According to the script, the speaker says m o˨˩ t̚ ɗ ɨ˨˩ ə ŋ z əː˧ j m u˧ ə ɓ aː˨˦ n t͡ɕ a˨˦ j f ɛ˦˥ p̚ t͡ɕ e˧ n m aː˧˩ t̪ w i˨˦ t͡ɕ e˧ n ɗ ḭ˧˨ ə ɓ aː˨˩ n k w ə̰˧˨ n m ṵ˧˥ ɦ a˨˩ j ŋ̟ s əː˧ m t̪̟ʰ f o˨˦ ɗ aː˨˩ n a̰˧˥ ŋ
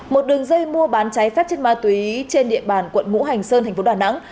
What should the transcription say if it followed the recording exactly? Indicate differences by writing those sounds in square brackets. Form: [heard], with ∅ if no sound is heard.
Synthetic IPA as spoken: m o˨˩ t̚ ɗ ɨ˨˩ ə ŋ z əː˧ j m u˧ ə ɓ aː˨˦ n t͡ɕ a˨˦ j f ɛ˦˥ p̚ t͡ɕ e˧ n m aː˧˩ t̪ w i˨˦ t͡ɕ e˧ n ɗ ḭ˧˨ ə ɓ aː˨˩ n k w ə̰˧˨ n [ŋ] ṵ˧˥ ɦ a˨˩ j ŋ̟ s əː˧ [n] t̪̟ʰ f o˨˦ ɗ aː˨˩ n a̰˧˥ ŋ